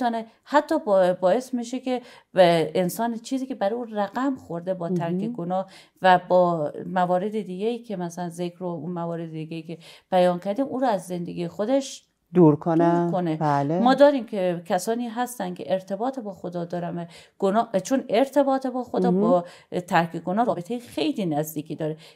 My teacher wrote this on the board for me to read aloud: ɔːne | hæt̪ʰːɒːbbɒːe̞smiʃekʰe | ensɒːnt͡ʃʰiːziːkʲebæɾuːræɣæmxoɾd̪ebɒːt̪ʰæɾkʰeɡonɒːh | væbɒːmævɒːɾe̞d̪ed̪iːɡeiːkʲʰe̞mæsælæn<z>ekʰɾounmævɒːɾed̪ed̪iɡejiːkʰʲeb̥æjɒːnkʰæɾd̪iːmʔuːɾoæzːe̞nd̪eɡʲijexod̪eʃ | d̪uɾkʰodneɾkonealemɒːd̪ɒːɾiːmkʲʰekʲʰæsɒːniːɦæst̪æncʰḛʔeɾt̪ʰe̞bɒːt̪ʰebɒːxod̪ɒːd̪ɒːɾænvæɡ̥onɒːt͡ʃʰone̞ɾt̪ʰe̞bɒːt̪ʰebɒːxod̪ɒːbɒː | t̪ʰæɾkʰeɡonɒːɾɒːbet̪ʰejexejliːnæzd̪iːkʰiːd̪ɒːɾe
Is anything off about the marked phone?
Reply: no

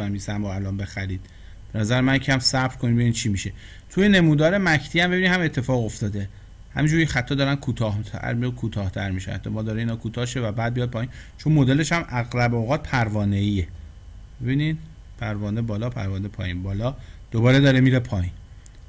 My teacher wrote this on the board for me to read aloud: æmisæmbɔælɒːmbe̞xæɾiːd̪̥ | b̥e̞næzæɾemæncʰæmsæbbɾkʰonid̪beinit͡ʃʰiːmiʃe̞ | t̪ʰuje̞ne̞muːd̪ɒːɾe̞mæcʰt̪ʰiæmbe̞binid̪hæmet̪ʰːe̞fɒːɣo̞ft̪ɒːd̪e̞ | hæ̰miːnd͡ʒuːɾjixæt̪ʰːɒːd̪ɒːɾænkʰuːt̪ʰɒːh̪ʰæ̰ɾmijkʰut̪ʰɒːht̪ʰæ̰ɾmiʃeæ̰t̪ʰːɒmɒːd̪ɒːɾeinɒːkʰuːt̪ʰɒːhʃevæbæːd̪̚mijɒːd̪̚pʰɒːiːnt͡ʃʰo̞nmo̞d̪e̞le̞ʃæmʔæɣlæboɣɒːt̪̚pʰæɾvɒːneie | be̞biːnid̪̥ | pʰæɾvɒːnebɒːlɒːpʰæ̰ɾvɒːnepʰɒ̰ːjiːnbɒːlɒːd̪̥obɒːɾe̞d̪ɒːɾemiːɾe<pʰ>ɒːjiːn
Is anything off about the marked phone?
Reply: no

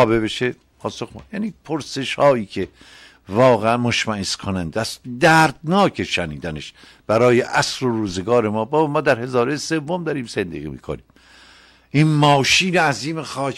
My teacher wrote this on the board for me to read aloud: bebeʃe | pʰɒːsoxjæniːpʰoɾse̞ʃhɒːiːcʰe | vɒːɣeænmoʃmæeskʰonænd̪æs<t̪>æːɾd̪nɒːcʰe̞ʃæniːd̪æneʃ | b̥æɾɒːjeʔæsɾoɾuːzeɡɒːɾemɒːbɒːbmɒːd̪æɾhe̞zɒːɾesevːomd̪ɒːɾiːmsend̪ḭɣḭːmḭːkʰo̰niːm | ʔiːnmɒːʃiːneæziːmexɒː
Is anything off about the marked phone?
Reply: yes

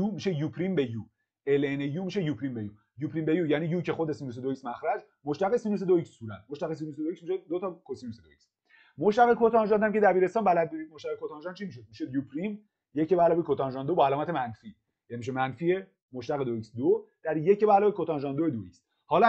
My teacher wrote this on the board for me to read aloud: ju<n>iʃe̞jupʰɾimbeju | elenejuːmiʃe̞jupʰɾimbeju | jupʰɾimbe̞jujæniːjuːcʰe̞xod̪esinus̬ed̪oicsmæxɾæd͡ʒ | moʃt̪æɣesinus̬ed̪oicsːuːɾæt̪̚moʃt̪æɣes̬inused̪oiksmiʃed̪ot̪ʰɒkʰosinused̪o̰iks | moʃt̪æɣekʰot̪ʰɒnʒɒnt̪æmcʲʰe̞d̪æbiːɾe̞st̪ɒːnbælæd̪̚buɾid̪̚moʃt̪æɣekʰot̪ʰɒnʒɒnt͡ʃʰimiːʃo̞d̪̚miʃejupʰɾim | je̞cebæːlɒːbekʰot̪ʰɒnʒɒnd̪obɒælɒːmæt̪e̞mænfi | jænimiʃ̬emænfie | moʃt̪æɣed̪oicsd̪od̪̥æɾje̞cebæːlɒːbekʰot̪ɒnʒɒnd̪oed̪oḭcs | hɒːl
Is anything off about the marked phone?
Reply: yes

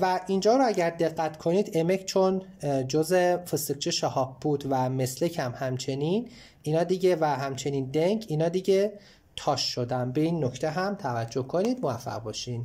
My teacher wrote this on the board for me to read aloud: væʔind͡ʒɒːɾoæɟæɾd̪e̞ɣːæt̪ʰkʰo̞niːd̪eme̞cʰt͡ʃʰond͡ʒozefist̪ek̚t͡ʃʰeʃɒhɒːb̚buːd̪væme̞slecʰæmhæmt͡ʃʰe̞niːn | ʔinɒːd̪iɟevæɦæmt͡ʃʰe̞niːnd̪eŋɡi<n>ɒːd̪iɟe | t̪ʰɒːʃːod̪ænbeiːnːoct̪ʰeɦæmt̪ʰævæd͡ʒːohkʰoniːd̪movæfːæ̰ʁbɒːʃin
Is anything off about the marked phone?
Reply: no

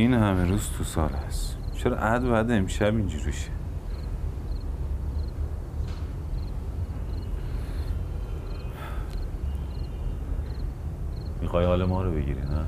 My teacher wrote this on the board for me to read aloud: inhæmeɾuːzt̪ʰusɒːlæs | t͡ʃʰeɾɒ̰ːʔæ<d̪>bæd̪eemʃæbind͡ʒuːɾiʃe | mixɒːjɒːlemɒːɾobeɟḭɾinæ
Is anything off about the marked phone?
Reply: no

